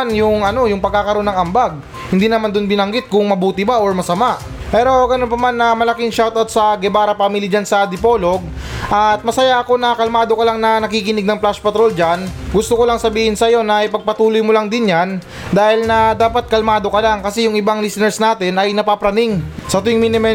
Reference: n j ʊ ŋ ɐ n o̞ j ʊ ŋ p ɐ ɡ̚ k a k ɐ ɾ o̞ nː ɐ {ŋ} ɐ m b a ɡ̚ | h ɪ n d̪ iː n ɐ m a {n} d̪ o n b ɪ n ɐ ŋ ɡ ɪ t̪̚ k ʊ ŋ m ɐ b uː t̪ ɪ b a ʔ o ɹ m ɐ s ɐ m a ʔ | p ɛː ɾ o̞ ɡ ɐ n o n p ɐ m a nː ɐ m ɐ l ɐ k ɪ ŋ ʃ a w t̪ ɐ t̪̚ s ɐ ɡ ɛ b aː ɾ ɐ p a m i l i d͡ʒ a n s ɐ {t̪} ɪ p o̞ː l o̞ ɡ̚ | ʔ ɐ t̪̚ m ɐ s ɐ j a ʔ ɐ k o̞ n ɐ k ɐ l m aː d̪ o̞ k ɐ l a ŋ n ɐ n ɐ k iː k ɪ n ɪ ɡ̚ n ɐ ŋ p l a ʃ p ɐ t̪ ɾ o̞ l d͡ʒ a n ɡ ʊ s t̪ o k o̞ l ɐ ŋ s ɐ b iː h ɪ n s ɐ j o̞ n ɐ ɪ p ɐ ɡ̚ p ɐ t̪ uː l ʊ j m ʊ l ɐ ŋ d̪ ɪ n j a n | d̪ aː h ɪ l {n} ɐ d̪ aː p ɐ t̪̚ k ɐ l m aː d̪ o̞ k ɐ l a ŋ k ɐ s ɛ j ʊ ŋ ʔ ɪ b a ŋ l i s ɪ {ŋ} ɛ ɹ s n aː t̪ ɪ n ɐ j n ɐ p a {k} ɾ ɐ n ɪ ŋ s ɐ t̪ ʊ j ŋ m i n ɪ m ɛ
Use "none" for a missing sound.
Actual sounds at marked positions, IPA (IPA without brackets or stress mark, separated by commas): ŋ, n, d̪, n, n, p